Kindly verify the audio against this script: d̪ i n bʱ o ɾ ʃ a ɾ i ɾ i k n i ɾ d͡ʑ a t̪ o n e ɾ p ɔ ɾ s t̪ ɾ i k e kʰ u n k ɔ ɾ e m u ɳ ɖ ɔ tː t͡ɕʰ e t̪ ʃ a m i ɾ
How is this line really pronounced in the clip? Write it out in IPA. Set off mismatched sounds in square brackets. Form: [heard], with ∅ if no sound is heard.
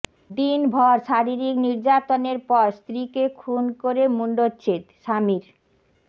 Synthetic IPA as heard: d̪ i n bʱ [ɔ] ɾ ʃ a ɾ i ɾ i k n i ɾ d͡ʑ a t̪ o n e ɾ p ɔ ɾ s t̪ ɾ i k e kʰ u n k [o] ɾ e m u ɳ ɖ [o] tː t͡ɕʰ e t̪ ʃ a m i ɾ